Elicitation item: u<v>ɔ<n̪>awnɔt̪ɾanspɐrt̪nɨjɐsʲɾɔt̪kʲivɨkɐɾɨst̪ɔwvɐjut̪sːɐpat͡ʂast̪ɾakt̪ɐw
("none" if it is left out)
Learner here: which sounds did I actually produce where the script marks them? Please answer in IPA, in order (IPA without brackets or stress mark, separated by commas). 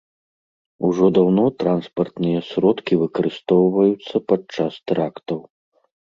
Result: ʐ, d̪